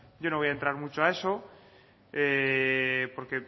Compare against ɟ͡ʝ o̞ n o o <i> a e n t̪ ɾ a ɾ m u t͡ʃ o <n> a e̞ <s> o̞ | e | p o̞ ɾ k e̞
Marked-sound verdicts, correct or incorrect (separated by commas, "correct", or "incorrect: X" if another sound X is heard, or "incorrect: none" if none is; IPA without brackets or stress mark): incorrect: j, incorrect: none, correct